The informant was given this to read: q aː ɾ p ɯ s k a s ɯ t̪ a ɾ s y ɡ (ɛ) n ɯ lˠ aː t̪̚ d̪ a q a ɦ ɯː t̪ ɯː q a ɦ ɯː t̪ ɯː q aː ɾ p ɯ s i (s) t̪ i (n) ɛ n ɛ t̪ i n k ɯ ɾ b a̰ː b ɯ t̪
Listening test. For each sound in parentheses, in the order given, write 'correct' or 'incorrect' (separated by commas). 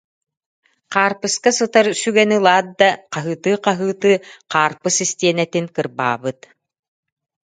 correct, correct, incorrect